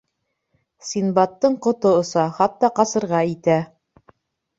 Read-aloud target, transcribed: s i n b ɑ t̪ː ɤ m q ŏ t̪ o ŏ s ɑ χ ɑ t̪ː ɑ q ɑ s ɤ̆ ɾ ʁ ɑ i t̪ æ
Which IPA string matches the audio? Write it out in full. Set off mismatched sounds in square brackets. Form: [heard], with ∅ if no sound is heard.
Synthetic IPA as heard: s i n b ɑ t̪ː ɤ [ɴ] q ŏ t̪ o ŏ s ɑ χ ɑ t̪ː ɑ q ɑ s ɤ̆ ɾ ʁ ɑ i t̪ æ